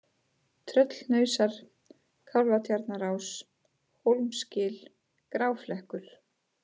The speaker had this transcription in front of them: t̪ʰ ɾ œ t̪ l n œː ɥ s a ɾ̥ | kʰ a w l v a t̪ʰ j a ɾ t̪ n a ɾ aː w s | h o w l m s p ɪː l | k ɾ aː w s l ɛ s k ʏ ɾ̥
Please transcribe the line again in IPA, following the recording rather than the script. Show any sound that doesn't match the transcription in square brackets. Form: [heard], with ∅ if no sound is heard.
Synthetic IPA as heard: t̪ʰ ɾ œ t̪ l n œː ɥ s a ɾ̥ | kʰ a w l v a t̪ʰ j a ɾ t̪ n a ɾ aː w s | h o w l m s [c] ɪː l | k ɾ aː w [f] l ɛ [h] k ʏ ɾ̥